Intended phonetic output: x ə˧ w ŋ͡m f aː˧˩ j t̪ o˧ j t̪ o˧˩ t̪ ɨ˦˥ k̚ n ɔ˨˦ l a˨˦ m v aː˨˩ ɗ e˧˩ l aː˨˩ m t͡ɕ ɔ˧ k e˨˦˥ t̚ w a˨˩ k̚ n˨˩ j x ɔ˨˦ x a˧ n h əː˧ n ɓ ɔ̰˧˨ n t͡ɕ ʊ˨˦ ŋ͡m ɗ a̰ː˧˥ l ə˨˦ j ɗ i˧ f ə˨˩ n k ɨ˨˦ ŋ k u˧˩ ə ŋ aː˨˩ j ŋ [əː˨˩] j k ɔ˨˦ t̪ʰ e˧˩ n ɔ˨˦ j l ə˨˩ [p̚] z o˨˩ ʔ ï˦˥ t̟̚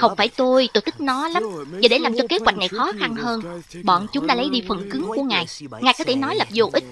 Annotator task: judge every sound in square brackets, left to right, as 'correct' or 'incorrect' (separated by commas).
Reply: incorrect, correct